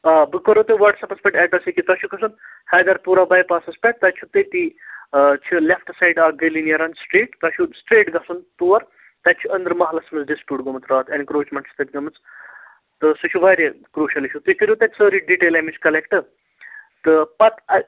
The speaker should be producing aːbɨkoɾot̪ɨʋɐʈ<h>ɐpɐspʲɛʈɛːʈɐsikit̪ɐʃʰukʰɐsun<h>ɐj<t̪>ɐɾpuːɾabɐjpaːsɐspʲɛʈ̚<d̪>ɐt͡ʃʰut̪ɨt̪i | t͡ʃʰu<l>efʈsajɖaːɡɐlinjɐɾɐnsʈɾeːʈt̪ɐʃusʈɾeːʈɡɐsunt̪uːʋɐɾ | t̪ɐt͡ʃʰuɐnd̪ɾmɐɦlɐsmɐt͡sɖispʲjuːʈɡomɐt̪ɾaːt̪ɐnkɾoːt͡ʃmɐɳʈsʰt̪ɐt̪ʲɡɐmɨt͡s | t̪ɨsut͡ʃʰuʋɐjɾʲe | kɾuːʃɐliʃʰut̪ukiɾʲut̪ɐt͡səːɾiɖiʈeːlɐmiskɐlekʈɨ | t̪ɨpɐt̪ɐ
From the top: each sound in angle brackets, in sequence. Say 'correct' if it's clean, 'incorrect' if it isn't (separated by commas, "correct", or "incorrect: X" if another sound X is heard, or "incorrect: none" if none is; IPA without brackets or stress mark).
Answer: incorrect: s, correct, incorrect: d̪, incorrect: t̪, correct